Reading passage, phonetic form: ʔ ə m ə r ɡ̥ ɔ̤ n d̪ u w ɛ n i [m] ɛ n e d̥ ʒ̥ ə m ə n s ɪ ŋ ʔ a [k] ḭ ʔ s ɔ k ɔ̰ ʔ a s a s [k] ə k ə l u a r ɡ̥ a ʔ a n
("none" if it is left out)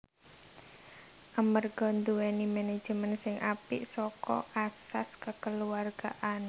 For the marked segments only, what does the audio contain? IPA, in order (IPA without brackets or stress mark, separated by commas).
m, p, k